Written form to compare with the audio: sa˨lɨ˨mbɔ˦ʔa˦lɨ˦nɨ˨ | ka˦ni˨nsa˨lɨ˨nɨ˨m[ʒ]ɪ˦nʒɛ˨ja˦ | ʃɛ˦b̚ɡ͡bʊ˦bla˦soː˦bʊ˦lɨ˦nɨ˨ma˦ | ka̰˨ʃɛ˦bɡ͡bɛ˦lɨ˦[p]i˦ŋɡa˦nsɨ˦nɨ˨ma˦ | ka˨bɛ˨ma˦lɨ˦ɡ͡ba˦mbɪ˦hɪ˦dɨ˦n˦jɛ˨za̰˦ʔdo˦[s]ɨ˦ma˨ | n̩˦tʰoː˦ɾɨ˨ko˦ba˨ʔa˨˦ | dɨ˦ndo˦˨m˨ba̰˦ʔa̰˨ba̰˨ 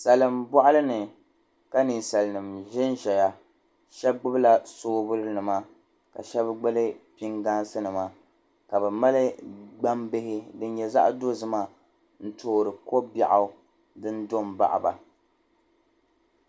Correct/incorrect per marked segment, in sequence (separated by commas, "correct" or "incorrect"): correct, correct, incorrect